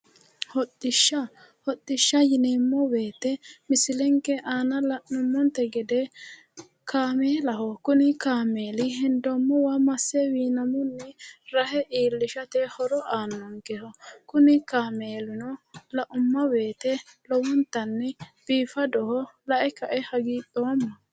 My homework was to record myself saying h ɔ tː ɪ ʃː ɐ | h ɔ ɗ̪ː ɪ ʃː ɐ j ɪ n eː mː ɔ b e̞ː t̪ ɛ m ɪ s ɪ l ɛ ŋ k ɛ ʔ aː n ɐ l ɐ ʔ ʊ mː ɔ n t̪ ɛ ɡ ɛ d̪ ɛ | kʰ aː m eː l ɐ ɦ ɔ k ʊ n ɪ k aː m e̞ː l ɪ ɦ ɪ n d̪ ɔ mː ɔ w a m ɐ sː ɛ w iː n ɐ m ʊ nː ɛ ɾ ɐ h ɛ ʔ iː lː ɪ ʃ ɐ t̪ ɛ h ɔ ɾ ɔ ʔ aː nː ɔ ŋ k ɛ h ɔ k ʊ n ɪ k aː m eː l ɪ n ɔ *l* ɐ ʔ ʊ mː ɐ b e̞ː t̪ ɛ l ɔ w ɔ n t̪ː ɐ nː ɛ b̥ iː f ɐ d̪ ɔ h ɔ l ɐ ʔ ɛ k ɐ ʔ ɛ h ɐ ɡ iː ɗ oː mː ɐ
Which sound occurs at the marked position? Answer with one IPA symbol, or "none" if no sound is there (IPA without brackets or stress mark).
l